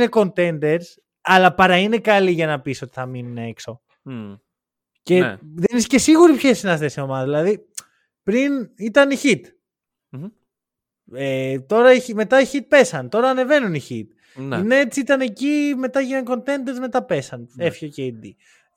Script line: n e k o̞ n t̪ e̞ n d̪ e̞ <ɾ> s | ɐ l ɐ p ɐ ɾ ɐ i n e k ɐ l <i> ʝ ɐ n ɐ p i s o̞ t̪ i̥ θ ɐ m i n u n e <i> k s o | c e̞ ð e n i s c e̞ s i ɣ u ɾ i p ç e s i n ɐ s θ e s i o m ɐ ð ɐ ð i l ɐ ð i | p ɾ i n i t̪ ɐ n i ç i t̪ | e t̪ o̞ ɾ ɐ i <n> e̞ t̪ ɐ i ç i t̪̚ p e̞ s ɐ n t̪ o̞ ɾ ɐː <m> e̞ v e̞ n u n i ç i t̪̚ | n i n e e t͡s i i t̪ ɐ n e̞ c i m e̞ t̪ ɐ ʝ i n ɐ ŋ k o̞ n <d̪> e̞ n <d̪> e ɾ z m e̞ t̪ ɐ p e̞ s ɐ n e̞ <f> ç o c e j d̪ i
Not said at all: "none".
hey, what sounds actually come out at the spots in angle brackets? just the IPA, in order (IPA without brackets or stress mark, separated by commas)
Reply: ɾ, i, e, m, n, t̪, d̪, f